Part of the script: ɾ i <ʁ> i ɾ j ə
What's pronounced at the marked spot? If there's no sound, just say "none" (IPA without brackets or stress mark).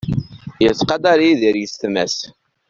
ð